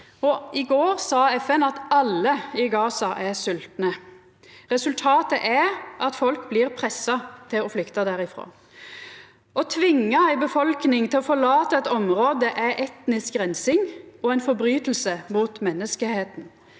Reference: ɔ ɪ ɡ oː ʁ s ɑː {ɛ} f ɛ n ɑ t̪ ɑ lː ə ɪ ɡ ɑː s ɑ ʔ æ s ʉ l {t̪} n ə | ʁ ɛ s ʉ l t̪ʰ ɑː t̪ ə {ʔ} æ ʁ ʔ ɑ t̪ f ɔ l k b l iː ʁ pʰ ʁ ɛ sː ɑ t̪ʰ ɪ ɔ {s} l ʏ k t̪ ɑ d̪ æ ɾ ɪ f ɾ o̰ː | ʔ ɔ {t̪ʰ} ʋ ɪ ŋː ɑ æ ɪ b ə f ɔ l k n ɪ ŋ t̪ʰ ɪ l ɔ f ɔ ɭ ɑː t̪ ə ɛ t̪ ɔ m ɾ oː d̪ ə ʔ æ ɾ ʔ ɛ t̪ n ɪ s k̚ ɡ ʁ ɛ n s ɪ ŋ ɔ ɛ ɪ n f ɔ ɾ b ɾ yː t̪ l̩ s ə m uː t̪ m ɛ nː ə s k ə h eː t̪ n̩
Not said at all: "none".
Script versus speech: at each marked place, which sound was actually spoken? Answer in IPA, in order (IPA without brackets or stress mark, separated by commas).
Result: ɛ, t̪, ʔ, f, t̪ʰ